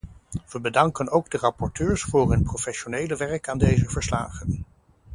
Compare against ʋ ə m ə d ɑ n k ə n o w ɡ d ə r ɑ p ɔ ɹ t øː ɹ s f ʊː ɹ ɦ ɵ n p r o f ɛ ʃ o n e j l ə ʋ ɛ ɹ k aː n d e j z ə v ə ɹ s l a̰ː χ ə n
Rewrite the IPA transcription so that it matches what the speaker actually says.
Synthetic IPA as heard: ʋ ə b ə d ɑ ŋ k ə n o w ɡ d ə r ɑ p ɔ ɹ t øː ɹ s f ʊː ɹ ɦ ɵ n p r o f ɛ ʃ o n e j l ə ʋ ɛ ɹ k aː n d e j z ə v ə ɹ s l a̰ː χ ə n